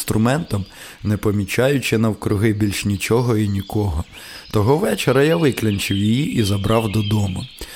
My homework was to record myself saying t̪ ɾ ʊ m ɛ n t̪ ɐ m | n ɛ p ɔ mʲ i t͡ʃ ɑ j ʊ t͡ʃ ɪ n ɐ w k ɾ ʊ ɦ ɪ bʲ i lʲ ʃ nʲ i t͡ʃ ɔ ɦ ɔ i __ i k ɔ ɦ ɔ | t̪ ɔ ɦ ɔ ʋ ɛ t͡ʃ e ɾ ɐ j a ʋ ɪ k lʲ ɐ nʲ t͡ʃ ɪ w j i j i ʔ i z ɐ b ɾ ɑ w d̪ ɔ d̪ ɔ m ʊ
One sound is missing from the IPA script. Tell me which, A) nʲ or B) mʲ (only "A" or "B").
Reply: A